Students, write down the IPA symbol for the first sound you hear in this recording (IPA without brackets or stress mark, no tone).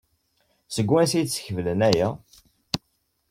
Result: s